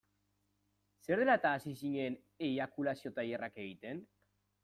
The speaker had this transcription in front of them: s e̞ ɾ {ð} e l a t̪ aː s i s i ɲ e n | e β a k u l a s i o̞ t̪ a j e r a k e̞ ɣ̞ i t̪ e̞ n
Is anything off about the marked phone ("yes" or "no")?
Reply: no